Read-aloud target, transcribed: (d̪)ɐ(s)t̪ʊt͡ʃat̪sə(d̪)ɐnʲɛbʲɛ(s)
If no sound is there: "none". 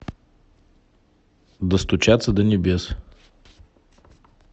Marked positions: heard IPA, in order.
d̪, s, d̪, s

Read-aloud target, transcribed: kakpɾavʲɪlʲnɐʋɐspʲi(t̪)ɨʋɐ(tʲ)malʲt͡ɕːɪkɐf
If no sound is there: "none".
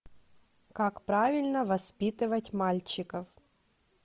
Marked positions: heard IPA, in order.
t̪, tʲ

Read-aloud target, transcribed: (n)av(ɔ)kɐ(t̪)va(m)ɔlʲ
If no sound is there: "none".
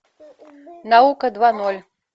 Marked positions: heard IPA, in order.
n, u, d̪, n

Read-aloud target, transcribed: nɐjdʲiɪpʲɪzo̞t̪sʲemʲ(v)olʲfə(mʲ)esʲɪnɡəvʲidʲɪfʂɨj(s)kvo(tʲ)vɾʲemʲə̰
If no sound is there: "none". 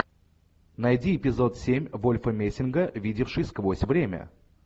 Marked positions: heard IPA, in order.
v, mʲ, s, sʲ

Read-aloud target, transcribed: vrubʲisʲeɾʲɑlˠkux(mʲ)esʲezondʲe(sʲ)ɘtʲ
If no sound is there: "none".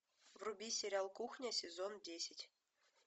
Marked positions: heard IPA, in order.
nʲ, sʲ

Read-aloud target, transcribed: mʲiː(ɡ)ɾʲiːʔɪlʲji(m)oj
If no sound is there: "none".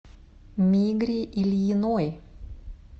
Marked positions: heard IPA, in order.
ɡ, n

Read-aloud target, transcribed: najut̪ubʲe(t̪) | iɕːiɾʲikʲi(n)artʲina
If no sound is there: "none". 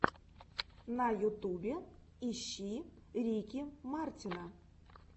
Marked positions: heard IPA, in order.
none, m

